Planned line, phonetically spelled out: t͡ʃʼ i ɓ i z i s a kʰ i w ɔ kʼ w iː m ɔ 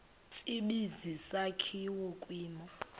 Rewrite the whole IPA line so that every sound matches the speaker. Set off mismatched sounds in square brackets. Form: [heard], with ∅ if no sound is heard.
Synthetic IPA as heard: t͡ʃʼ i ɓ i z i s a kʰ i w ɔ kʼ w iː m ɔ

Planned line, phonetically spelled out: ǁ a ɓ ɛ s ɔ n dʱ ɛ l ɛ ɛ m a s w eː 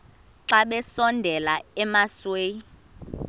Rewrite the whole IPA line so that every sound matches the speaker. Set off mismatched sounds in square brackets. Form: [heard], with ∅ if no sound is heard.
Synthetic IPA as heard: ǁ a ɓ ɛ s ɔ n dʱ ɛ l [a] ɛ m a s w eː

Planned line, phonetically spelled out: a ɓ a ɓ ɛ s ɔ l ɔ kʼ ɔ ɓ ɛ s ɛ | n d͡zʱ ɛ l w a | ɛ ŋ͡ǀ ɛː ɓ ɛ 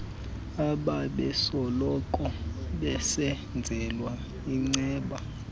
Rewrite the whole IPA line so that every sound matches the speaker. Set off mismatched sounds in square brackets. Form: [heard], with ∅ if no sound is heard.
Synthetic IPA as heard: a ɓ a ɓ ɛ s ɔ l ɔ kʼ ɔ ɓ ɛ s ɛ | n d͡zʱ ɛ l w a | [i] ŋ͡ǀ ɛː ɓ [a]

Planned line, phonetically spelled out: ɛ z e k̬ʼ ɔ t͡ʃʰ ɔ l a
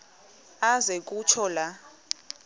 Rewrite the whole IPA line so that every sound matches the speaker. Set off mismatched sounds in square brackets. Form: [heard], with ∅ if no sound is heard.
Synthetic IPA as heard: [a] z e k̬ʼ [u] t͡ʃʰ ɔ l a

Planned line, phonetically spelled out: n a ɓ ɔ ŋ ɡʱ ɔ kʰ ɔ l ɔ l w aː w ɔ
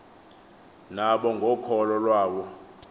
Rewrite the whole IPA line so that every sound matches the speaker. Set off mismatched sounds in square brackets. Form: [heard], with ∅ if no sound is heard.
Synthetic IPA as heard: n a ɓ ɔ ŋ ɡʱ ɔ kʰ ɔ l ɔ l w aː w ɔ

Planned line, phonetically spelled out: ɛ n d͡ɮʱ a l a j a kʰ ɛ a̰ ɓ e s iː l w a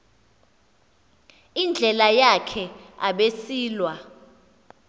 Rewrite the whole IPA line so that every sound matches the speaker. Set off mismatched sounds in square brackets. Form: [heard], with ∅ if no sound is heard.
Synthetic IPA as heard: [i] n d͡ɮʱ [ɛ] l a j a kʰ ɛ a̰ ɓ e s iː l w a

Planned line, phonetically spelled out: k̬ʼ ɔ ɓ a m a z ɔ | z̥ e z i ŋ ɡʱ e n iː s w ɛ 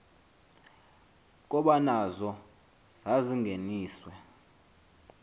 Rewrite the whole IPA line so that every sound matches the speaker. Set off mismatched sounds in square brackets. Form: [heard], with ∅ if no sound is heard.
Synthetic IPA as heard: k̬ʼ ɔ ɓ a [n] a z ɔ | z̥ [a] z i ŋ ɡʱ e n iː s w ɛ

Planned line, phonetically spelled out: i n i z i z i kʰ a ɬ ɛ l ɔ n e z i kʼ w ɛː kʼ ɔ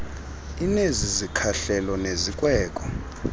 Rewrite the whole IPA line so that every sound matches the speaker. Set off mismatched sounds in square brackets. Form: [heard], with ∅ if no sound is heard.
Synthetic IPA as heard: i n [e] z i z i kʰ a ɬ ɛ l ɔ n e z i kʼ w ɛː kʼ ɔ

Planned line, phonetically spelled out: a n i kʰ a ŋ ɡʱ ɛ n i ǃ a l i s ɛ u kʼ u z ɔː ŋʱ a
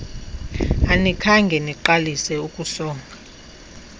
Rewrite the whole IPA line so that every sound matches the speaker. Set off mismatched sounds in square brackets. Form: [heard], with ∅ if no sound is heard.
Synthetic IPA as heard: a n i kʰ a ŋ ɡʱ ɛ n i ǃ a l i s ɛ u kʼ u [s] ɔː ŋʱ a

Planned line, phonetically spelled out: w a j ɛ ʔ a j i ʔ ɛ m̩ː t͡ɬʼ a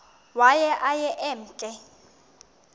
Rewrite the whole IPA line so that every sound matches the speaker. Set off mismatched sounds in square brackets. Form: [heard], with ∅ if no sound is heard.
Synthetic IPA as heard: w a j ɛ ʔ a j [ɛ] ʔ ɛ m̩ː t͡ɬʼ [ɛ]

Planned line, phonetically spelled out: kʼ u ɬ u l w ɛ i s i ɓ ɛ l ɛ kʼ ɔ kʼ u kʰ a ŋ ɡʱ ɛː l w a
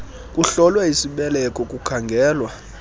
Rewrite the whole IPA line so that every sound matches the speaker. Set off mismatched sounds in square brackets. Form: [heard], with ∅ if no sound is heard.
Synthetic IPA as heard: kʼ u ɬ [ɔ] l w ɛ i s i ɓ ɛ l ɛ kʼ ɔ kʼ u kʰ a ŋ ɡʱ ɛː l w a

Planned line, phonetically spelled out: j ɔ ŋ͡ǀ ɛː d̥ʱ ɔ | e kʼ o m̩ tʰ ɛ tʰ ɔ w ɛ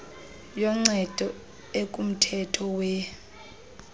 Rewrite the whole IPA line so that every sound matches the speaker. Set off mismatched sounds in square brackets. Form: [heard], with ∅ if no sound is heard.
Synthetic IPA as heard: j ɔ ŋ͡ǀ [ɛ] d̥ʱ ɔ | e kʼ [u] m̩ tʰ ɛ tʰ ɔ w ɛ

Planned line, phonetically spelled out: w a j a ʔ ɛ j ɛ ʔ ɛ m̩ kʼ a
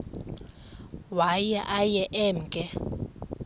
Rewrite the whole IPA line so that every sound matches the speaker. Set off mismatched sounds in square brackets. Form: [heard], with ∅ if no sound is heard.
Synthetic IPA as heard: w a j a ʔ [a] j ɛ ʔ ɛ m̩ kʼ [ɛ]

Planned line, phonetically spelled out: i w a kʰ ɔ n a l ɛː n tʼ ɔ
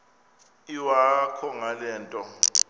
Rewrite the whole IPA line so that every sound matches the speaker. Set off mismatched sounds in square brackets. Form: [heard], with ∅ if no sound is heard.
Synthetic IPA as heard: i w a kʰ ɔ [ŋ] a l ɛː n tʼ ɔ

